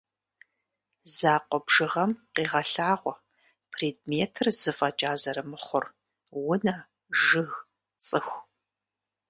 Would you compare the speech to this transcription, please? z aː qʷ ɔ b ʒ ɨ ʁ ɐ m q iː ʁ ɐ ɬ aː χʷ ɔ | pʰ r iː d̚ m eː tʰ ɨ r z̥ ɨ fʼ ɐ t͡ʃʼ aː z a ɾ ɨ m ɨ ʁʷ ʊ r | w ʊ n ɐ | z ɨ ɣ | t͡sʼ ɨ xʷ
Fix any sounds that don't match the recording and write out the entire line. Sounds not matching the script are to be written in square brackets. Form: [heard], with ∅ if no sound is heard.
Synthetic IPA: z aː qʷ ɔ b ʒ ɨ ʁ ɐ m q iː ʁ ɐ ɬ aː [ʁʷ] ɔ | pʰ r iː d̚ m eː tʰ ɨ r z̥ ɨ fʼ ɐ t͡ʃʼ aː z [ɐ] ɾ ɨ m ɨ [χʷ] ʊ r | w ʊ n ɐ | [ʒ] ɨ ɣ | t͡sʼ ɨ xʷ

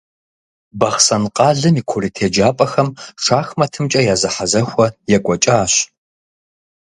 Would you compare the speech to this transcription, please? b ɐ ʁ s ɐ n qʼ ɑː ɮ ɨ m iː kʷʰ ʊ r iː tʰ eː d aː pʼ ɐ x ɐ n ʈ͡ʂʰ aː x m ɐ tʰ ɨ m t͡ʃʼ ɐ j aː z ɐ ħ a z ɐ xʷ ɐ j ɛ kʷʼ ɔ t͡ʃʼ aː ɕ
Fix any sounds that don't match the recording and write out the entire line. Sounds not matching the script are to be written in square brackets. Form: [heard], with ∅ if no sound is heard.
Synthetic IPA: b ɐ [χ] s ɐ n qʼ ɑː ɮ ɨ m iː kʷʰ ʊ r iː tʰ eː [d͡ʒ] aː pʼ ɐ x ɐ [m] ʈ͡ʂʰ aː x m ɐ tʰ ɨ m t͡ʃʼ ɐ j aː z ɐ ħ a z ɐ xʷ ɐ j ɛ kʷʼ ɔ t͡ʃʼ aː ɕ

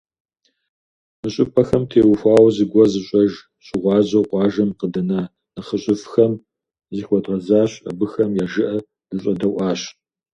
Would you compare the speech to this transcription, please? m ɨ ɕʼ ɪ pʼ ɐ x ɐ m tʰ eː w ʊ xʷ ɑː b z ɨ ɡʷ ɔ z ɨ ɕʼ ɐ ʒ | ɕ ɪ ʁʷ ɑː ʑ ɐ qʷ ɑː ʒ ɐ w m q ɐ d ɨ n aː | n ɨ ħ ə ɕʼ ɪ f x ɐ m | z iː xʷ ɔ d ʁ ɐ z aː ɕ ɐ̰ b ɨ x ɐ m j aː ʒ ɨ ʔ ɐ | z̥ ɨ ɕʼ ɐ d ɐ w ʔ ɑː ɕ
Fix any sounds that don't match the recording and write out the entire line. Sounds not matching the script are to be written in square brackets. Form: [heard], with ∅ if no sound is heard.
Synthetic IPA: m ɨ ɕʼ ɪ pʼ ɐ x ɐ m tʰ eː w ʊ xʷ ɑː [w] z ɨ ɡʷ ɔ z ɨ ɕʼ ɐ ʒ | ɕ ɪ ʁʷ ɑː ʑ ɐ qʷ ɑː ʒ ɐ [∅] m q [ə] d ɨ n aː | n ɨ [χ] ə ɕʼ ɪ f x ɐ m | z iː xʷ ɔ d ʁ ɐ z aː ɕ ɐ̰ b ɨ x ɐ m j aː ʒ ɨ ʔ ɐ | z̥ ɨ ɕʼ ɐ d ɐ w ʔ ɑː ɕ

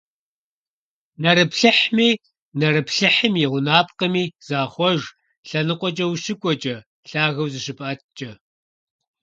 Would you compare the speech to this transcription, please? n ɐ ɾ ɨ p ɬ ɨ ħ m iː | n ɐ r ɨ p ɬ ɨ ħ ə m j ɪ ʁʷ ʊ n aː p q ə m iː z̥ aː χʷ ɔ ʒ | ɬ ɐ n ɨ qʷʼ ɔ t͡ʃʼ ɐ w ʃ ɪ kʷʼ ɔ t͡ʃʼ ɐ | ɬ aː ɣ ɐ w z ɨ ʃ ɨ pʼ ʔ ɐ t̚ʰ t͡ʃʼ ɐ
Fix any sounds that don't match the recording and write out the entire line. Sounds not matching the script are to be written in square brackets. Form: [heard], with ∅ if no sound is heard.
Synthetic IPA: n ɐ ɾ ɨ p ɬ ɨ ħ m iː | n ɐ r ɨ p ɬ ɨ ħ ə m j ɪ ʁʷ ʊ n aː p q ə m iː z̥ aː χʷ ɔ ʒ | ɬ ɐ n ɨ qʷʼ ɔ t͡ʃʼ ɐ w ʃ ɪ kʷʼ ɔ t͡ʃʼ ɐ | ɬ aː ɣ ɐ w z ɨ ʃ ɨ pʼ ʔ ɐ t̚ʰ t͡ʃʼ ɐ

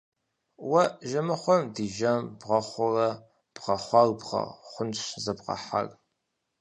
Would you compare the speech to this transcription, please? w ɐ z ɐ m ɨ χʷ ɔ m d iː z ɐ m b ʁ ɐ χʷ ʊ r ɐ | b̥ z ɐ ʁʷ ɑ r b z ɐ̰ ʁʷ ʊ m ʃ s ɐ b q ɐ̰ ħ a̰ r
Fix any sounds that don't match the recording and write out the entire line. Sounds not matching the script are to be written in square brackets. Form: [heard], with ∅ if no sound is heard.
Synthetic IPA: w ɐ [ʒ] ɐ m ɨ χʷ ɔ m d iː [ʒ] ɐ m b ʁ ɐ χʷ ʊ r ɐ | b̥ [ʁ] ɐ [χʷ] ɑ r b [ʁ] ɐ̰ [χʷ] ʊ [n] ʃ [z] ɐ b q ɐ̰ ħ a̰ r

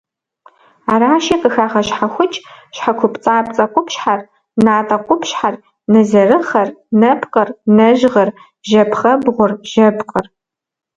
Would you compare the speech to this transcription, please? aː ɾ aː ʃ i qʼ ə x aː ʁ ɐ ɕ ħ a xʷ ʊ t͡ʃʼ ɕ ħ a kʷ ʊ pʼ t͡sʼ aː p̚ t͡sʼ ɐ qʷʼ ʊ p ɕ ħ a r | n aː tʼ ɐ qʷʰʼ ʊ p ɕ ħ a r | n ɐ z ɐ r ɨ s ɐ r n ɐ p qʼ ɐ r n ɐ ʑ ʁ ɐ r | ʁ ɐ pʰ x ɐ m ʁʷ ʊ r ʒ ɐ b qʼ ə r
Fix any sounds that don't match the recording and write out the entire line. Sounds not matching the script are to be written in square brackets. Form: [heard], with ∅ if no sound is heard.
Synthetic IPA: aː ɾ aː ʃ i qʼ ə x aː ʁ ɐ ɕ ħ a xʷ ʊ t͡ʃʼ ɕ ħ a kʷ ʊ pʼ t͡sʼ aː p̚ t͡sʼ ɐ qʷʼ ʊ p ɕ ħ a r | n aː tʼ ɐ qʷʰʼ ʊ p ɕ ħ a r | n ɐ z ɐ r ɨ [χ] ɐ r n ɐ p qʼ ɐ r n ɐ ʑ ʁ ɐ r | [ʒ] ɐ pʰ [χ] ɐ [b] ʁʷ ʊ r ʒ ɐ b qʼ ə r

